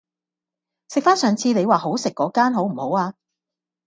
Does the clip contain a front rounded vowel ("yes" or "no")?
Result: yes